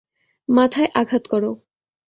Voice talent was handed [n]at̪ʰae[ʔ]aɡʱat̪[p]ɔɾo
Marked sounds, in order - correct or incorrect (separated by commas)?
incorrect, correct, incorrect